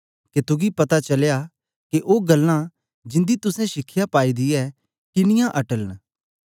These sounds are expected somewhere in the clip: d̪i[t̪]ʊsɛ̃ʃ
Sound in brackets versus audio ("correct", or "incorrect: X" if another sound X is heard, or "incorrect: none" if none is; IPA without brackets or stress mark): correct